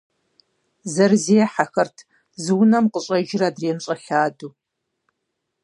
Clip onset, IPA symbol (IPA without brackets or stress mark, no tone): z